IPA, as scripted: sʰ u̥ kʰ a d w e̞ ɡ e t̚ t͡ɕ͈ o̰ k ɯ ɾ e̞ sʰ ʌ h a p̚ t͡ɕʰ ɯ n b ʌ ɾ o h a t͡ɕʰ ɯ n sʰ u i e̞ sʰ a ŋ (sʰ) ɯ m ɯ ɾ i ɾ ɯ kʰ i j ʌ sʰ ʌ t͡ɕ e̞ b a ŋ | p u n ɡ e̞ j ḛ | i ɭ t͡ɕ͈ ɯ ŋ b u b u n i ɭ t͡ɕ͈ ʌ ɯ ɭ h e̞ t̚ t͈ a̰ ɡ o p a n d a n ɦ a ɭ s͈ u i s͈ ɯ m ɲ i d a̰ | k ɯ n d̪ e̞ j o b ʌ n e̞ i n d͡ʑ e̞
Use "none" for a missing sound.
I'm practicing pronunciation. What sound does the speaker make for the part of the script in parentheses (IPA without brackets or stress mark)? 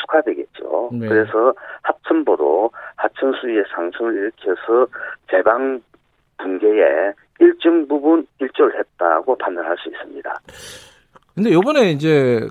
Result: sʰ